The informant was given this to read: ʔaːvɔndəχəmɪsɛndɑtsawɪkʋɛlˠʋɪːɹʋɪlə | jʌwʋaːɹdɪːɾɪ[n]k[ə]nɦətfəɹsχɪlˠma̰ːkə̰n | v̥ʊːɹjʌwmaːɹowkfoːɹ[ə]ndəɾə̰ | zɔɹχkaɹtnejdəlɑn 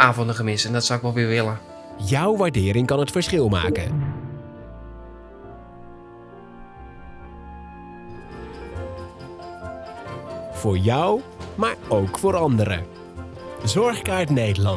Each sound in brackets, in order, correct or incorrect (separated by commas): incorrect, incorrect, incorrect